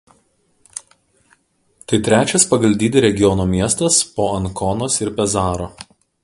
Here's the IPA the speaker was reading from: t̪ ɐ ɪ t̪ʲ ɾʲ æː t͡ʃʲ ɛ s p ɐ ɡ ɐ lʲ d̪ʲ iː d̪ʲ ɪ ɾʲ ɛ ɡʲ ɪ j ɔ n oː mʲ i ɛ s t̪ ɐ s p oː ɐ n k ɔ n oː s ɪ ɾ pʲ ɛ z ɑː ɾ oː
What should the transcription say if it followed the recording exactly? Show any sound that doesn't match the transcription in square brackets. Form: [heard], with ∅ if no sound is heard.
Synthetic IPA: t̪ ɐ ɪ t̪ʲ ɾʲ æː t͡ʃʲ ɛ s p ɐ ɡ ɐ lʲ d̪ʲ iː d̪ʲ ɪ ɾʲ ɛ ɡʲ ɪ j ɔ n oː mʲ i ɛ s t̪ ɐ s p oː ɐ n k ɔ n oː s ɪ ɾ pʲ ɛ z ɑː ɾ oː